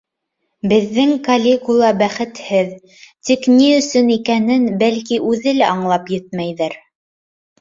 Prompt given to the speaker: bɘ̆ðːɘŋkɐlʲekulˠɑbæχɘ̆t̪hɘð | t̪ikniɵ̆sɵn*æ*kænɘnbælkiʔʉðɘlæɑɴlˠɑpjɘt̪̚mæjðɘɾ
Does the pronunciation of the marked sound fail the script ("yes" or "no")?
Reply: yes